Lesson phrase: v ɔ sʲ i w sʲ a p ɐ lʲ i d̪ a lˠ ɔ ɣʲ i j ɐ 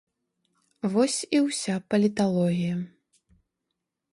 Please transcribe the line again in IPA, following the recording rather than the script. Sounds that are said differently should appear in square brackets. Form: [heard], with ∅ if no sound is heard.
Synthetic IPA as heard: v ɔ sʲ i w sʲ a p ɐ lʲ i [t̪] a lˠ ɔ ɣʲ i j ɐ

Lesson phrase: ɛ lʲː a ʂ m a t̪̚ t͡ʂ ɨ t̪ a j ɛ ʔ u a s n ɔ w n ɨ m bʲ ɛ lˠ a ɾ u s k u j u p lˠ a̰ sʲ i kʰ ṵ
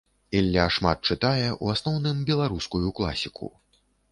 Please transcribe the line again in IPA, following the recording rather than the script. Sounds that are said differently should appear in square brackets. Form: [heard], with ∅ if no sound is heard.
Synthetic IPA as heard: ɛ lʲː a ʂ m a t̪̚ t͡ʂ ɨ t̪ a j ɛ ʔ u a s n ɔ w n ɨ m bʲ ɛ lˠ a ɾ u s k u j u [k] lˠ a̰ sʲ i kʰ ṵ

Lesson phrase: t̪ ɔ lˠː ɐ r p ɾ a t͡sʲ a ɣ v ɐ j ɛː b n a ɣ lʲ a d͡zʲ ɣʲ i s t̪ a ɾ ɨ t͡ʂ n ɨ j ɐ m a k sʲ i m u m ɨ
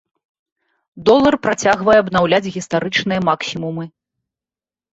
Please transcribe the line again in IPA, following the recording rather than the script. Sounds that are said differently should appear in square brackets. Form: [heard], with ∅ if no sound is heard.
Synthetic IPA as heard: [d̪] ɔ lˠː ɐ r p ɾ a t͡sʲ a ɣ v ɐ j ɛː b n a [w] lʲ a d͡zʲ ɣʲ i s t̪ a ɾ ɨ t͡ʂ n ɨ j ɐ m a k sʲ i m u m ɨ

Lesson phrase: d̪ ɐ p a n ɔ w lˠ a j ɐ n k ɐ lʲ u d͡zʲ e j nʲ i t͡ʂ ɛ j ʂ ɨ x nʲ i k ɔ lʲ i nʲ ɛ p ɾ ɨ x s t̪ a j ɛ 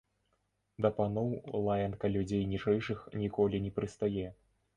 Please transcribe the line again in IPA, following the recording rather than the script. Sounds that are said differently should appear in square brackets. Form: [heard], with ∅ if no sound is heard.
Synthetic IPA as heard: d̪ ɐ p a n ɔ w lˠ a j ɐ n k ɐ lʲ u d͡zʲ e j nʲ i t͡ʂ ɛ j ʂ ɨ x nʲ i k ɔ lʲ i nʲ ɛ p ɾ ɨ [∅] s t̪ a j ɛ

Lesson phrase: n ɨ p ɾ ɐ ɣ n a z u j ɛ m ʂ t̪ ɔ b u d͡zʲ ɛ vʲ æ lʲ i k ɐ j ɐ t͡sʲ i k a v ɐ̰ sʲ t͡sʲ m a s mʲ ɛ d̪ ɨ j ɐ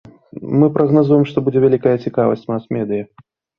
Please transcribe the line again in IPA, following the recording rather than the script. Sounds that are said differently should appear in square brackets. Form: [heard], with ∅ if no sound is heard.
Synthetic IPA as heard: [m] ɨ p ɾ ɐ ɣ n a z u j ɛ m ʂ t̪ ɔ b u d͡zʲ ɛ vʲ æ lʲ i k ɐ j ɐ t͡sʲ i k a v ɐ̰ sʲ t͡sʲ m a s mʲ ɛ d̪ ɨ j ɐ

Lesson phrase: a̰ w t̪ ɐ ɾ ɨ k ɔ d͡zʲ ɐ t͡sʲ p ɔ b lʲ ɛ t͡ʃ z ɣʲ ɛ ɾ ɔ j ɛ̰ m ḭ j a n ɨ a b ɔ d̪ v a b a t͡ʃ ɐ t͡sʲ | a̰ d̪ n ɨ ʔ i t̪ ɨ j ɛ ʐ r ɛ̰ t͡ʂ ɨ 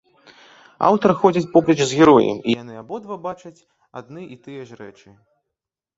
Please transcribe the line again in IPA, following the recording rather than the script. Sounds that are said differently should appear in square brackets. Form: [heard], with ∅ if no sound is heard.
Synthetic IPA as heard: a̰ w t̪ ɐ ɾ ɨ [x] ɔ d͡zʲ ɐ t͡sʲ p ɔ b lʲ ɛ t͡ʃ z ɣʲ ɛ ɾ ɔ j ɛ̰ m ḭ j a n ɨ a b ɔ d̪ v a b a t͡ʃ ɐ t͡sʲ | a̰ d̪ n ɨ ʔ i t̪ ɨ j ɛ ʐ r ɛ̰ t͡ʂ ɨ

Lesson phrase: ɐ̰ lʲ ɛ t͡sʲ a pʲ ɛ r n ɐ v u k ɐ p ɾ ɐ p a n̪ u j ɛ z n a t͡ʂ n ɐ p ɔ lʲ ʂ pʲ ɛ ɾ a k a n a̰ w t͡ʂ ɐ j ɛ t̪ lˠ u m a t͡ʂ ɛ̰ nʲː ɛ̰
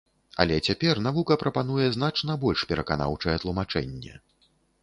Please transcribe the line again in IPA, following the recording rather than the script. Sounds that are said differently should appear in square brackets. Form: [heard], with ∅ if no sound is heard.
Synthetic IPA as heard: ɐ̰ lʲ ɛ t͡sʲ a pʲ ɛ r n [a] v u k ɐ p ɾ ɐ p a n̪ u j ɛ z n a t͡ʂ n ɐ [b] ɔ lʲ ʂ pʲ ɛ ɾ [ɐ] k a n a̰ w t͡ʂ ɐ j ɛ t̪ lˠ u m a t͡ʂ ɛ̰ nʲː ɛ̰

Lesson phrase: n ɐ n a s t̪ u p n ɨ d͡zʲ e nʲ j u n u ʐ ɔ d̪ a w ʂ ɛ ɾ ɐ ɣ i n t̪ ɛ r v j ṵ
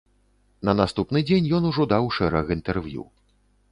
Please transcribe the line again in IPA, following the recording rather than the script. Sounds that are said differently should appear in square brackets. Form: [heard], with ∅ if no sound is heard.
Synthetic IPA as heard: n ɐ n a s t̪ u p n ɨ d͡zʲ e nʲ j [ɔ] n u ʐ ɔ d̪ a w ʂ ɛ ɾ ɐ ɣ i n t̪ ɛ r v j ṵ

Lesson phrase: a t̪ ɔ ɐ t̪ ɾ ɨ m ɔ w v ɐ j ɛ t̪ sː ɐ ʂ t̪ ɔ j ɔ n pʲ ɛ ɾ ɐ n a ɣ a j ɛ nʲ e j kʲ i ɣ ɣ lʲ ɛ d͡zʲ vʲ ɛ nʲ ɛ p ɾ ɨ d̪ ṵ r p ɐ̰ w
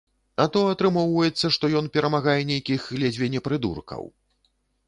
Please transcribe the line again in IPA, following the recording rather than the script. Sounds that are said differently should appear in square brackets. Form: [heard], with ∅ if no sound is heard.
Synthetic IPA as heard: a t̪ ɔ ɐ t̪ ɾ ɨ m ɔ w v ɐ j ɛ t̪ sː ɐ ʂ t̪ ɔ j ɔ n pʲ ɛ ɾ ɐ [m] a ɣ a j ɛ nʲ e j kʲ i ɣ ɣ lʲ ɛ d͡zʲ vʲ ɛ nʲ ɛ p ɾ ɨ d̪ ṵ r [k] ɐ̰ w

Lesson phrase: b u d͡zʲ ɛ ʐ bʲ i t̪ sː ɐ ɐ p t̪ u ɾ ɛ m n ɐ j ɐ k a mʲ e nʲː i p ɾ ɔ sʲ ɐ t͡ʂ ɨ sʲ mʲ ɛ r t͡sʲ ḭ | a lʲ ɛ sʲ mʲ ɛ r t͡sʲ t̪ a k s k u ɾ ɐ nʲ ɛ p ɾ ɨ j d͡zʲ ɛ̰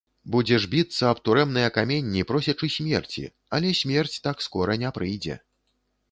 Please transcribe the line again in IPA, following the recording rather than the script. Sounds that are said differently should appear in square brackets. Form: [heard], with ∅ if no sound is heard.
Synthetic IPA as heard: b u d͡zʲ ɛ ʐ bʲ i t̪ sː ɐ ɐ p t̪ u ɾ ɛ m n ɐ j ɐ k a mʲ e nʲː i p ɾ ɔ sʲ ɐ t͡ʂ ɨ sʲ mʲ ɛ r t͡sʲ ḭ | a lʲ ɛ sʲ mʲ ɛ r t͡sʲ t̪ a k s k [ɔ] ɾ ɐ nʲ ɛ p ɾ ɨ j d͡zʲ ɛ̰

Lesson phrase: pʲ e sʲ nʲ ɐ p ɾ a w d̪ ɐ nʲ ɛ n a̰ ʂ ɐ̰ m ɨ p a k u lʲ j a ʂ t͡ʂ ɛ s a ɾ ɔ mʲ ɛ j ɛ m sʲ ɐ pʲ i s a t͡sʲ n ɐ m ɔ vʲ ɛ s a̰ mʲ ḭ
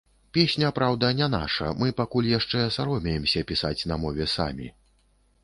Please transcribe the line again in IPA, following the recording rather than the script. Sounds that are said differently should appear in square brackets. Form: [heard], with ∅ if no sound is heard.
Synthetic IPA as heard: pʲ e sʲ nʲ ɐ p ɾ a w d̪ ɐ nʲ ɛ n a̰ ʂ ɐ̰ m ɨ p a k u lʲ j a ʂ t͡ʂ ɛ s a ɾ ɔ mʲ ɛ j ɛ m sʲ ɐ pʲ i s a t͡sʲ n ɐ m ɔ vʲ ɛ s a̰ mʲ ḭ

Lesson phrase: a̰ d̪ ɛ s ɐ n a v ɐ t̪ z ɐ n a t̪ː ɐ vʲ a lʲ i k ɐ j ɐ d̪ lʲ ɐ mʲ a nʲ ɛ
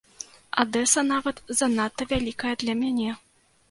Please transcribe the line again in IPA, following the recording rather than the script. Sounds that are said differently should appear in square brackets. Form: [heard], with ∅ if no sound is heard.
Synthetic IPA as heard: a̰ d̪ ɛ s ɐ n a v ɐ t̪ z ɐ n a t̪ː ɐ vʲ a lʲ i k ɐ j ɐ d̪ lʲ ɐ mʲ a nʲ ɛ

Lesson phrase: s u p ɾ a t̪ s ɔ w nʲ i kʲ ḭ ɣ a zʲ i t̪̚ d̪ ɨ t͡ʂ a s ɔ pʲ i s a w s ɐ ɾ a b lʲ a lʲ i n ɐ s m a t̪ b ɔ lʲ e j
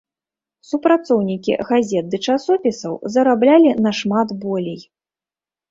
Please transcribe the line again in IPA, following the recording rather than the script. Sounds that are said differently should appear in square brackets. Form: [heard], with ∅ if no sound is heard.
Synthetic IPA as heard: s u p ɾ a t̪ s ɔ w nʲ i kʲ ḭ ɣ a zʲ [ɛ] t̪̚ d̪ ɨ t͡ʂ a s ɔ pʲ i s [ɐ] w [z] ɐ ɾ a b lʲ a lʲ i n ɐ [ʂ] m a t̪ b ɔ lʲ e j

